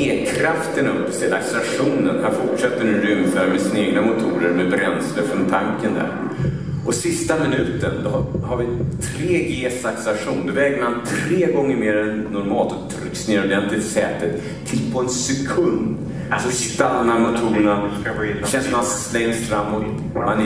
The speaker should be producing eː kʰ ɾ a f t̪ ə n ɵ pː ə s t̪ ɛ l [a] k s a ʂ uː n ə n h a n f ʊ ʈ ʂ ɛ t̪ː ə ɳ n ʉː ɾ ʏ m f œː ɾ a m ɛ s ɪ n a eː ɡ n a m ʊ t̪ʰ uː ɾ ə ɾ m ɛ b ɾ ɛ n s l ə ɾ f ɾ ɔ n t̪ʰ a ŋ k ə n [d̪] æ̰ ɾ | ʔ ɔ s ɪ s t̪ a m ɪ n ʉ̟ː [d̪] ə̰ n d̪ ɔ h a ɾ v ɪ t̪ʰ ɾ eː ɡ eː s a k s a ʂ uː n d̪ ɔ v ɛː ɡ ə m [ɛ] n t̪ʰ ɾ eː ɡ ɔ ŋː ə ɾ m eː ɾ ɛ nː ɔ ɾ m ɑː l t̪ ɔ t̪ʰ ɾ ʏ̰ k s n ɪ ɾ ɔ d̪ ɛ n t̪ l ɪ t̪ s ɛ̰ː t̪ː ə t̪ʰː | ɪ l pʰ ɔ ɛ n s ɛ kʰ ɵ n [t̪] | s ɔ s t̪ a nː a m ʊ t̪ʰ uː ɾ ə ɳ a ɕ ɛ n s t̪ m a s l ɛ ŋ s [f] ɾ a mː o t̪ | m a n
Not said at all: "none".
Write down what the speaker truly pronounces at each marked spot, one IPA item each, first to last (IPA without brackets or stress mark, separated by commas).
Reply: a, d̪, t̪, a, d̪, f